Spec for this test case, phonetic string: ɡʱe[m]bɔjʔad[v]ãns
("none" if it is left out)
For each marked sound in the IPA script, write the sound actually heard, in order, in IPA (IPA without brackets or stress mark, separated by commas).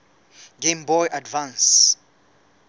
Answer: m, v